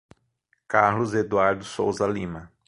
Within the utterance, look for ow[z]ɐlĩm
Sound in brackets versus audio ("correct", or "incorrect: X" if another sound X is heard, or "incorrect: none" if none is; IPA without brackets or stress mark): correct